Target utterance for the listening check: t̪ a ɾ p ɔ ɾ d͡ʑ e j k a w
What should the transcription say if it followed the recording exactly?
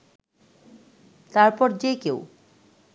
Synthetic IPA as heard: t̪ a ɾ p ɔ ɾ d͡ʑ e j k e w